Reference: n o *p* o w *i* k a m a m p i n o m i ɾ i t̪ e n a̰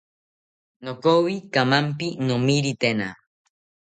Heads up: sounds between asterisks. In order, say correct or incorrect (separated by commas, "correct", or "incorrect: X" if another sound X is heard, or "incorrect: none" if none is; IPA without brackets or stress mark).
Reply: incorrect: k, correct